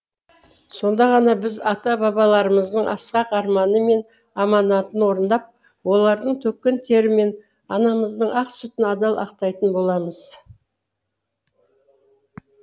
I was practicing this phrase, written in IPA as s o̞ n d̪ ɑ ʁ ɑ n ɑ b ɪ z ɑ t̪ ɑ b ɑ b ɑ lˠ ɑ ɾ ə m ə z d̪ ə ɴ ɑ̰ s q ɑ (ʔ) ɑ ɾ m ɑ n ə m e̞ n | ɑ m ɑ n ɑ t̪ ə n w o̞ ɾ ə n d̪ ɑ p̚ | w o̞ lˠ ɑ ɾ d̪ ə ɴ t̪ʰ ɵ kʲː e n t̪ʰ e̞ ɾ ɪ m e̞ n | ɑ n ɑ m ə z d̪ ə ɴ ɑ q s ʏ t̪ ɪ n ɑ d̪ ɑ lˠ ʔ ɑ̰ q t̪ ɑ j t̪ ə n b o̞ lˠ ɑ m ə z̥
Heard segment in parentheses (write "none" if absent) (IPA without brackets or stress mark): q